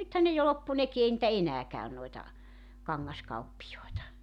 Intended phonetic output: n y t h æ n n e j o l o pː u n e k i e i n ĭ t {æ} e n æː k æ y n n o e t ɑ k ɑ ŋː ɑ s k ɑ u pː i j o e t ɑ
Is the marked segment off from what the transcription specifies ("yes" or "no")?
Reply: no